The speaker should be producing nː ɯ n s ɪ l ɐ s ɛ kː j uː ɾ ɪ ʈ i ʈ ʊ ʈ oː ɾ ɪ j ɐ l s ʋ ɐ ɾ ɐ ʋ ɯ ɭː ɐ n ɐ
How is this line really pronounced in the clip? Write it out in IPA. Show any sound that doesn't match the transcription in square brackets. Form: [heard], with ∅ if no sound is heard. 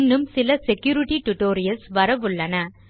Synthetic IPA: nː ɯ [m] s ɪ l ɐ s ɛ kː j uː ɾ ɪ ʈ i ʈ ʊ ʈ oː ɾ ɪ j ɐ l s ʋ ɐ ɾ ɐ ʋ ɯ ɭː ɐ n ɐ